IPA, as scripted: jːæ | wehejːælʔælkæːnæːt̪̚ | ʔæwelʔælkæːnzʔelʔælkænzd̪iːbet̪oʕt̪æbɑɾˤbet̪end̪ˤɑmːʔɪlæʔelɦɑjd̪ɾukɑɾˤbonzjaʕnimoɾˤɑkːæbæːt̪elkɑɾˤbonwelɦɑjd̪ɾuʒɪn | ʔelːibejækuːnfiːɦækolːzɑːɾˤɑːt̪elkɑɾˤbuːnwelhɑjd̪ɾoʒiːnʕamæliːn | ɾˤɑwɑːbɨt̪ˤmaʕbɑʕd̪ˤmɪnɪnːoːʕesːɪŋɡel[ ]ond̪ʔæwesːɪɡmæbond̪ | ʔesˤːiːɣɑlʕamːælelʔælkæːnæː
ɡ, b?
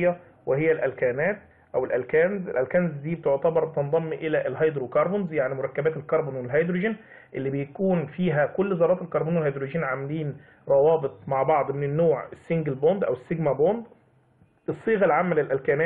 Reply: b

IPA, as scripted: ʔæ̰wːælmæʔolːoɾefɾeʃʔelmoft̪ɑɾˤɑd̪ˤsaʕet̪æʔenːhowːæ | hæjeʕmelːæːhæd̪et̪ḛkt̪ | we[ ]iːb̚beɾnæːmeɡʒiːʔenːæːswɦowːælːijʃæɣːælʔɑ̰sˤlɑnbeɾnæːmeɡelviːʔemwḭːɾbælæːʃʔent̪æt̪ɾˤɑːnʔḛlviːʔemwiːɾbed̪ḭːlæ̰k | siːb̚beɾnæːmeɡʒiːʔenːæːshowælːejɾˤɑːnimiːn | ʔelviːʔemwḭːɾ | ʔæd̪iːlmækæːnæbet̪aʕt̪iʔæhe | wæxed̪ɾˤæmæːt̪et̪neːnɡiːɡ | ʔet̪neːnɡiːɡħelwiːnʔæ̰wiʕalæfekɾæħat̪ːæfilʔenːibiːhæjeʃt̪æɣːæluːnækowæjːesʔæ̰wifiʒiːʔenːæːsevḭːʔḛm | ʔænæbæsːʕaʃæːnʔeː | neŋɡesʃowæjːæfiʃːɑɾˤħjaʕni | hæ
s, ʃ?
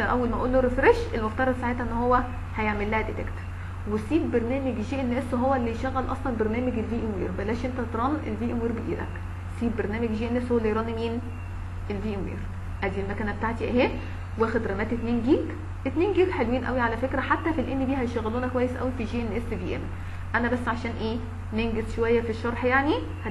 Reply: s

